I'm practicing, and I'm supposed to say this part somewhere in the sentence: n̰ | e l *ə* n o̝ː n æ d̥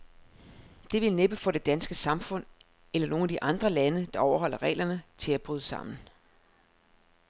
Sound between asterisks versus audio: incorrect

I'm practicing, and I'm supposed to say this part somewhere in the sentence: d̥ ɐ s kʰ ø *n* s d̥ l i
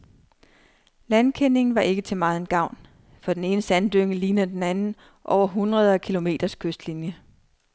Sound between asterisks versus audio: incorrect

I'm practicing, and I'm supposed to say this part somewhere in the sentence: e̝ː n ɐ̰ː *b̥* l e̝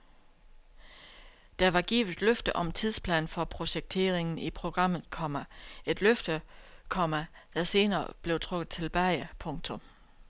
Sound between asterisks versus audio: correct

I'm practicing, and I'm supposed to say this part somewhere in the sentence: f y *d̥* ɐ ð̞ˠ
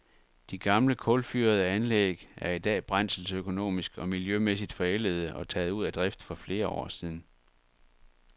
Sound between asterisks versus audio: incorrect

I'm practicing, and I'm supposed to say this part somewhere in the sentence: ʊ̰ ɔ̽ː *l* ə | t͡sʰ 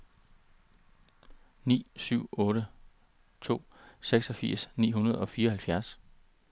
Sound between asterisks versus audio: incorrect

